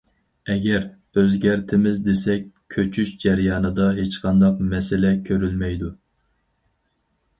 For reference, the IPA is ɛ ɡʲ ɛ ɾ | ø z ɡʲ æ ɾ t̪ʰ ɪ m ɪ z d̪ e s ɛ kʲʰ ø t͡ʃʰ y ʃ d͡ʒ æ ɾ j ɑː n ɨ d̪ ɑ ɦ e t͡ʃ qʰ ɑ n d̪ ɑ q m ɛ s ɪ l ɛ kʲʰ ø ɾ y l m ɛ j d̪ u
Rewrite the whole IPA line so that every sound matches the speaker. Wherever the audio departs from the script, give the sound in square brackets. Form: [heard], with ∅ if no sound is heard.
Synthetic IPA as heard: ɛ ɡʲ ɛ ɾ | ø z ɡʲ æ ɾ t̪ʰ ɪ m ɪ z d̪ e s ɛ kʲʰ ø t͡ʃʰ y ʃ d͡ʒ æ ɾ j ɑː n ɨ d̪ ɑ ɦ e t͡ʃ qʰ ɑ n d̪ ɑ q m ɛ s ɪ l ɛ kʲʰ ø ɾ y l m ɛ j d̪ u